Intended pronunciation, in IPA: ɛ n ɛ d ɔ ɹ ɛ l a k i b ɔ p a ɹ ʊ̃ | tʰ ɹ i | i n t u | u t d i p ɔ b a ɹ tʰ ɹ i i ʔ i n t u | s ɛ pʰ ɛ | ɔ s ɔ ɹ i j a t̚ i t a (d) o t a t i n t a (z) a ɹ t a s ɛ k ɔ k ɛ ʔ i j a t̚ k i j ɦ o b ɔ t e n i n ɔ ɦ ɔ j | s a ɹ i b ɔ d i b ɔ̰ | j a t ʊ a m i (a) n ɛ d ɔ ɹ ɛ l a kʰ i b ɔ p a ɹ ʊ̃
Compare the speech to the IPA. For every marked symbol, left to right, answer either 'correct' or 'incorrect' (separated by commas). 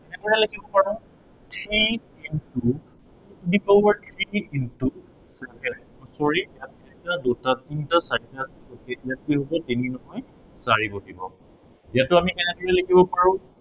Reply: correct, incorrect, incorrect